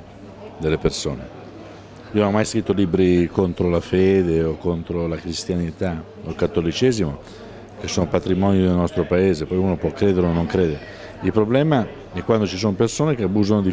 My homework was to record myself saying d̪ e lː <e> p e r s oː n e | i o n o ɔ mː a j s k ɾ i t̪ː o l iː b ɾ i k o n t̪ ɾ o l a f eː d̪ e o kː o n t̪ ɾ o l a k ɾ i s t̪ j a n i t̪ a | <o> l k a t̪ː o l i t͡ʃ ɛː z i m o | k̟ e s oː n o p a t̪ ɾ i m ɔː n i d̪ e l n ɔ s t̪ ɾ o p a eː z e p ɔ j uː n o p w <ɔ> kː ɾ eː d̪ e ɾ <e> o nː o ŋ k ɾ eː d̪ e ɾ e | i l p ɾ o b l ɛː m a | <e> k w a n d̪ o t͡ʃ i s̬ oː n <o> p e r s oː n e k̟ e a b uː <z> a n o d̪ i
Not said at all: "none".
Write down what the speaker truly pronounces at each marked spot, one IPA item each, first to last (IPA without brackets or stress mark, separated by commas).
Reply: e, o, ɔ, e, ɛ, o, z